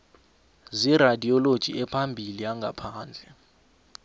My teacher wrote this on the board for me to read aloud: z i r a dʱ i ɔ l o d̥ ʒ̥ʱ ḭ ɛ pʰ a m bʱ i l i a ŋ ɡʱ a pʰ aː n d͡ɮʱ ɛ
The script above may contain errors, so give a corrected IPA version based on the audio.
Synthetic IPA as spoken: z i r a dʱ i ɔ l o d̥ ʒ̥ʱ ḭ ɛ pʰ a m bʱ i l i a ŋ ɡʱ a pʰ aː n d͡ɮʱ ɛ